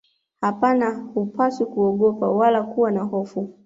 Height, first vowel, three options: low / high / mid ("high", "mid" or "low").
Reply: low